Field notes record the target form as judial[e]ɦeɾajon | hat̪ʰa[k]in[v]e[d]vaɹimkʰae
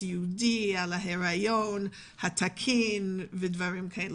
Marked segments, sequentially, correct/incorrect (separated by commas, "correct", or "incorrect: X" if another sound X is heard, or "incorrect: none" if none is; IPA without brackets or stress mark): incorrect: a, incorrect: kʰ, correct, correct